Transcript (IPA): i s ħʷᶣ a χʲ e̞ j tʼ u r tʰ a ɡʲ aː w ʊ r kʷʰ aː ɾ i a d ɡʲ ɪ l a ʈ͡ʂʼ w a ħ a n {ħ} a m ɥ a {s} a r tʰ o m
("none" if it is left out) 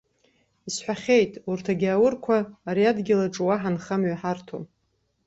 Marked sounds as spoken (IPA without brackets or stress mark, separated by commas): χ, ħ